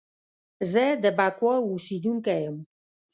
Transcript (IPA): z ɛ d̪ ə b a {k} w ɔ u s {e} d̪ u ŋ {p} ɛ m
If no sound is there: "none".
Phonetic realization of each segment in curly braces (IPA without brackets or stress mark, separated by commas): k, i, k